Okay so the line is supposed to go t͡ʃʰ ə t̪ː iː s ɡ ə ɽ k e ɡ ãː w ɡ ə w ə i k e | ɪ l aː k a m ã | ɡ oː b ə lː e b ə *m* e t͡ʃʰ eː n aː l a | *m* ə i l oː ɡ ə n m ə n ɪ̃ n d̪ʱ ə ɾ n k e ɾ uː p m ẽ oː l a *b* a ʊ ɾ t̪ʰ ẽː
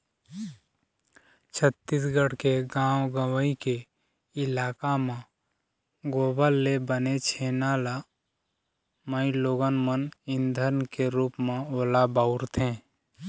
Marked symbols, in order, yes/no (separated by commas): no, yes, yes